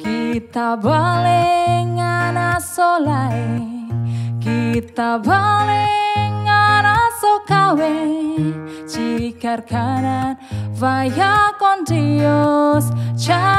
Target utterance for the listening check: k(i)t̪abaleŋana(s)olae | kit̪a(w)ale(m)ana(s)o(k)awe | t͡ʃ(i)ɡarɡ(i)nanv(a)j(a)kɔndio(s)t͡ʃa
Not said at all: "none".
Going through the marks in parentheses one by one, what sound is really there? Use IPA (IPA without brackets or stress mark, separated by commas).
i, s, b, ŋ, s, k, i, a, a, a, s